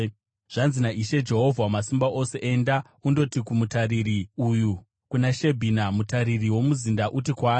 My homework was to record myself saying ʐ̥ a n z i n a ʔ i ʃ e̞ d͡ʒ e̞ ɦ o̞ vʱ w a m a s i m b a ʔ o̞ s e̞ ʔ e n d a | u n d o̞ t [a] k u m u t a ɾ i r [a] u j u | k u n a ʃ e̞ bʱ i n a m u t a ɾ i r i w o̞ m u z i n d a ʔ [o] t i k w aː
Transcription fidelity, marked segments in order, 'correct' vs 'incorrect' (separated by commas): incorrect, incorrect, incorrect